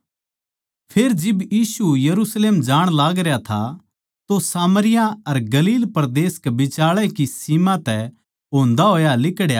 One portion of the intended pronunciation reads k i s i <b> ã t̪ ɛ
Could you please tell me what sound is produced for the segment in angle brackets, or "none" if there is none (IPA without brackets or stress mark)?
m